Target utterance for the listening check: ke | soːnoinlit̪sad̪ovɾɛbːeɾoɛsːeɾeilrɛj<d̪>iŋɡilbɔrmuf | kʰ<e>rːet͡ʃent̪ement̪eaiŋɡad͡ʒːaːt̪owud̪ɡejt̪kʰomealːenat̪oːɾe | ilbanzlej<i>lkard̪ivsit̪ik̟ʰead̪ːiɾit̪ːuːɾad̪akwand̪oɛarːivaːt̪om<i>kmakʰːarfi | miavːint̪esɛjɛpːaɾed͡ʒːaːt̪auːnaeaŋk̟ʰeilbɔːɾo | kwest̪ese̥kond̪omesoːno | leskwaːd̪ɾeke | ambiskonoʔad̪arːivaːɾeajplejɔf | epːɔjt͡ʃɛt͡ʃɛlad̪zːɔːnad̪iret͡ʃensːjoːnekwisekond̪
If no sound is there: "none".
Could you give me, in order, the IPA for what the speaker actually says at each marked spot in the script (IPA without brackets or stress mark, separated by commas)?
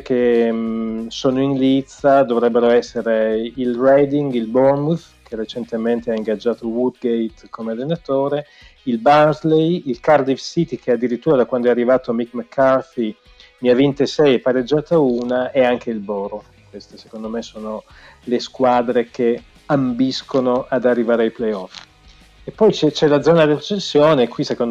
d̪, e, i, i